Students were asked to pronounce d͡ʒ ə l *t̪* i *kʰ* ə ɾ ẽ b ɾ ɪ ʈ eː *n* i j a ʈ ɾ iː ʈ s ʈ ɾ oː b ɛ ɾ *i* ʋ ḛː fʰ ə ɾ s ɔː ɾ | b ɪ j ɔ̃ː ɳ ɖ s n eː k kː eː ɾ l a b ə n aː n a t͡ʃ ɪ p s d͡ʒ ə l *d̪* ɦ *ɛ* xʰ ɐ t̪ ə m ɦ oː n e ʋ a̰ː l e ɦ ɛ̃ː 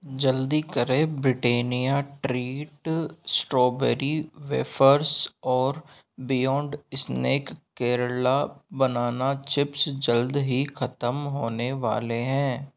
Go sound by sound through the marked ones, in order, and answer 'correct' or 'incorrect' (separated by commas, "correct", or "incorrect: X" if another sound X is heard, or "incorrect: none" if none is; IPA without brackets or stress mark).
incorrect: d̪, incorrect: k, correct, correct, correct, incorrect: i